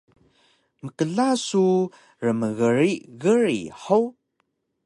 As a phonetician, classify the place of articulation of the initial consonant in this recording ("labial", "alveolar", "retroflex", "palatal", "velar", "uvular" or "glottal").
labial